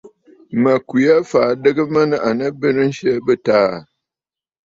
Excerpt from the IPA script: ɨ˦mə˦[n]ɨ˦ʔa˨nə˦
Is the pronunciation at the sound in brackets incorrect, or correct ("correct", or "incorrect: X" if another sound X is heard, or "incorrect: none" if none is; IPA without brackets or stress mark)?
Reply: correct